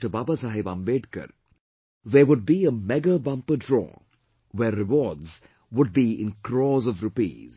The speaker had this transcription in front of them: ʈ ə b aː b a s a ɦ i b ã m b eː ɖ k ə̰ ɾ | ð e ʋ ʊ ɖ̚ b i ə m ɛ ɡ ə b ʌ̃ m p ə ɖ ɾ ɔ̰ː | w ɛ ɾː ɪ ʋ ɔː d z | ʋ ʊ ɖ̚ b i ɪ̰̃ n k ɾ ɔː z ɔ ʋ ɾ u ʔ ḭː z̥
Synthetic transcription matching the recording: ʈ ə b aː b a s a ɦ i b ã m b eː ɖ k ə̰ ɾ | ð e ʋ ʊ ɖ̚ b i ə m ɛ ɡ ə b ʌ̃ m p ə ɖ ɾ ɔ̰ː | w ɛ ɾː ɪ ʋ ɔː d z | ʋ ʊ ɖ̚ b i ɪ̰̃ n k ɾ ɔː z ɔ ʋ ɾ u p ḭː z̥